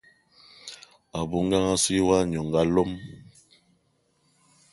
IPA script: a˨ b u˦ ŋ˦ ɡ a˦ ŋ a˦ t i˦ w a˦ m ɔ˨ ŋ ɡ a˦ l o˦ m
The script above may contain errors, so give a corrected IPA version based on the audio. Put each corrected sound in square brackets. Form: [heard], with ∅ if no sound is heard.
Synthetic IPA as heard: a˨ b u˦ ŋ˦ ɡ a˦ ŋ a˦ [s] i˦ w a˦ [ɲ] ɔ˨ ŋ ɡ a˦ l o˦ m